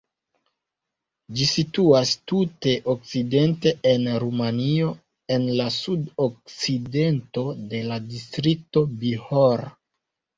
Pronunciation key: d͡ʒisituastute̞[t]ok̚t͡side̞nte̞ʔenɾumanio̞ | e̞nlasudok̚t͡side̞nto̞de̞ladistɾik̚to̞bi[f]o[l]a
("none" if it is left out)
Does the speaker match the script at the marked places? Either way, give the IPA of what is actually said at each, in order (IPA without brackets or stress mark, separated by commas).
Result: ʔ, h, ɾ